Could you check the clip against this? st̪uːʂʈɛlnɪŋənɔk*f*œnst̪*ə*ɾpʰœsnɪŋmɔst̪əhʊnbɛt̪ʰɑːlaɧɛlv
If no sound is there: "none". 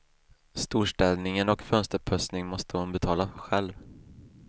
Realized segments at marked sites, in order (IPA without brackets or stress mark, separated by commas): f, ə